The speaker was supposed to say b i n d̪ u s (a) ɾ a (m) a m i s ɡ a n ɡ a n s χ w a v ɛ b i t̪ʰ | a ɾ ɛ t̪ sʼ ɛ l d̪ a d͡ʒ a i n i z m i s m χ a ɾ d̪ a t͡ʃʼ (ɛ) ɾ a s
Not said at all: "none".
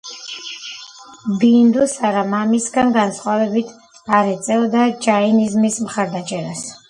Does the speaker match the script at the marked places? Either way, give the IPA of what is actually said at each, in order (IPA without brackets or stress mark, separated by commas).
a, m, ɛ